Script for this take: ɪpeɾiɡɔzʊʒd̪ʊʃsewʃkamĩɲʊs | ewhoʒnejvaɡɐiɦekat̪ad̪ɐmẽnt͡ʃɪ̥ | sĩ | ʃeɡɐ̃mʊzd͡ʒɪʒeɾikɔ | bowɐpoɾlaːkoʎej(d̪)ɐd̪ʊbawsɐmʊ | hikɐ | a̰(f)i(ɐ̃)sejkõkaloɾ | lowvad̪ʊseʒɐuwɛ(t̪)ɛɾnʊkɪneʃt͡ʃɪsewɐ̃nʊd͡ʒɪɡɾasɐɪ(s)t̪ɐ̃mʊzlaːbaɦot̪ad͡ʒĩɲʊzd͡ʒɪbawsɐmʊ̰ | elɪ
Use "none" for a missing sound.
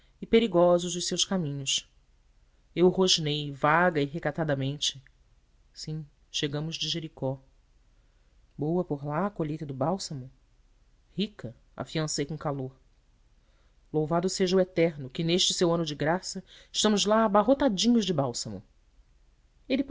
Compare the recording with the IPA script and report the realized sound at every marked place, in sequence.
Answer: t̪, f, ɐ̃, t̪, ʃ

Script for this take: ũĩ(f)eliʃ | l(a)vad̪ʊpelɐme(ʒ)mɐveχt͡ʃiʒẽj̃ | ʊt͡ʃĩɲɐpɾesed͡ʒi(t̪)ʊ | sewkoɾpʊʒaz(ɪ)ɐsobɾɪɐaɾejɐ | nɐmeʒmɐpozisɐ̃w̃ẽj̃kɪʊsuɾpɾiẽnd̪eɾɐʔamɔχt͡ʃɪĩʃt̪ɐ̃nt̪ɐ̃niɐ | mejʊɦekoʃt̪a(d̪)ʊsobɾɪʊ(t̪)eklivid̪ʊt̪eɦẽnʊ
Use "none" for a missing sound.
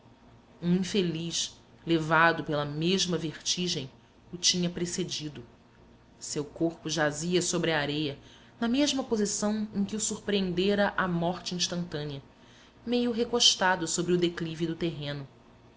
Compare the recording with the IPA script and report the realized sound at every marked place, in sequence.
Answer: f, e, ʒ, d̪, i, d̪, d̪

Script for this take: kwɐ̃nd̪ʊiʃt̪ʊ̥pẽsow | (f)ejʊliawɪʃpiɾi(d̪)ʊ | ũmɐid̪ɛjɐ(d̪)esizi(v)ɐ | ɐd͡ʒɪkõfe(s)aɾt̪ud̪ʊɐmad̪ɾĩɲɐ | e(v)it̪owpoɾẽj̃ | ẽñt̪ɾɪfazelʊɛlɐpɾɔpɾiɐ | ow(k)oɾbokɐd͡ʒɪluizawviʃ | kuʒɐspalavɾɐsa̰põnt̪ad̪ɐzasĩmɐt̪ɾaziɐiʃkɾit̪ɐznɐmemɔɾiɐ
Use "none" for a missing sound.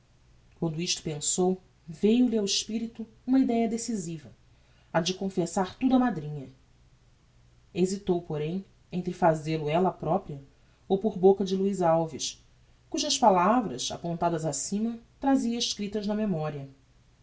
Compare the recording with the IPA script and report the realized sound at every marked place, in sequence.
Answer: v, t̪, d̪, v, s, z, p

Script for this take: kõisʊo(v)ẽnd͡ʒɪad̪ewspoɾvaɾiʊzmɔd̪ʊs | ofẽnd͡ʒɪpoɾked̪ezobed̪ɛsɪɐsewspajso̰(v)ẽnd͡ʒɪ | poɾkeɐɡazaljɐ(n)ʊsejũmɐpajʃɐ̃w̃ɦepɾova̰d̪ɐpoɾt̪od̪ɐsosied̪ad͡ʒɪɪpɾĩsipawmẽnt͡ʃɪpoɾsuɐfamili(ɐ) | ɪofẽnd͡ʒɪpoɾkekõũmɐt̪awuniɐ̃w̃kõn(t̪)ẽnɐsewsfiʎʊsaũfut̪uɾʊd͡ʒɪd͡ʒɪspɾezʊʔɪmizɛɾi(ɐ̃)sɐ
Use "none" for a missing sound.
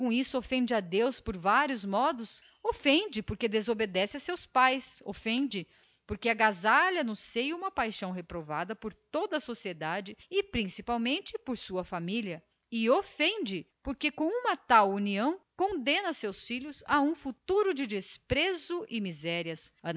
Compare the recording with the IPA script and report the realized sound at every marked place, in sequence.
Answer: f, f, n, ɐ, d̪, ɐ

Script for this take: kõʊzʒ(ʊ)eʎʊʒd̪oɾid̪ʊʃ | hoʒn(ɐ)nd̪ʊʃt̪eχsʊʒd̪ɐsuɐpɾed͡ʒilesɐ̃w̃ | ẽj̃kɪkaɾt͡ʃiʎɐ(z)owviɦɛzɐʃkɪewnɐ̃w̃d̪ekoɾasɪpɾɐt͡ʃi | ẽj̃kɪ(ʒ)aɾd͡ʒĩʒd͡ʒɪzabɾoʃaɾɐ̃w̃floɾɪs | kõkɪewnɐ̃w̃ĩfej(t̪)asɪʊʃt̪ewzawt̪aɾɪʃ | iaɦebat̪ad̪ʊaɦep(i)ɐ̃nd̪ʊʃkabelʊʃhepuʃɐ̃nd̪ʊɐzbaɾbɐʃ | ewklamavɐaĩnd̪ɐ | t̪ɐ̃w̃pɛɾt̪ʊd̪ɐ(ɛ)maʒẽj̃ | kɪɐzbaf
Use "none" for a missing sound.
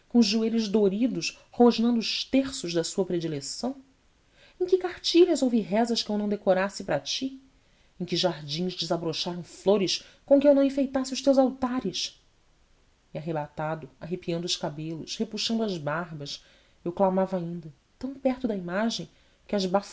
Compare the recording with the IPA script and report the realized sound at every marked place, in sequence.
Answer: u, ɐ̃, z, ʒ, t̪, i, i

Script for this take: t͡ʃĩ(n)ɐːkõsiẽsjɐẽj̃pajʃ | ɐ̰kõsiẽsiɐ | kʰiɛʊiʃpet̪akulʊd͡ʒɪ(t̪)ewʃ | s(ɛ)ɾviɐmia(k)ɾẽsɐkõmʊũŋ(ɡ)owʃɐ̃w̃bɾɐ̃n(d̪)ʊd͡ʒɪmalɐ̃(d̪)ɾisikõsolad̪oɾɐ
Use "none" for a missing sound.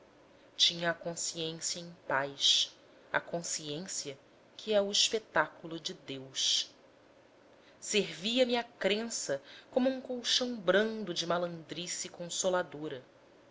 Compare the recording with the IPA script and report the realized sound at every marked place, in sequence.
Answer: ɲ, d̪, e, k, k, d̪, d̪

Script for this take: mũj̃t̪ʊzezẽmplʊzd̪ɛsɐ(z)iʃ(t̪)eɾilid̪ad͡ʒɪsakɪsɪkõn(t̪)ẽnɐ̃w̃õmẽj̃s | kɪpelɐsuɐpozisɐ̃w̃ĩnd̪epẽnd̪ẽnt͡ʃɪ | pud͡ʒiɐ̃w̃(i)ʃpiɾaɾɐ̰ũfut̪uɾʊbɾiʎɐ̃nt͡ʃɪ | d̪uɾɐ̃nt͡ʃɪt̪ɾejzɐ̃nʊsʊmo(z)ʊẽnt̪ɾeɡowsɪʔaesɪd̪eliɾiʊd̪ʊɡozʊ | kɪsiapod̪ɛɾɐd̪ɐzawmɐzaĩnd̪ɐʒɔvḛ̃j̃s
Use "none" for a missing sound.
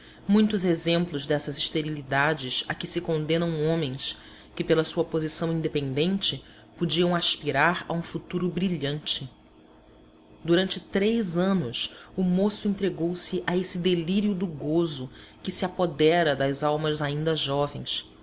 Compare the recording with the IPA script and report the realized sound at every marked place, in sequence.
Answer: z, t̪, d̪, a, s

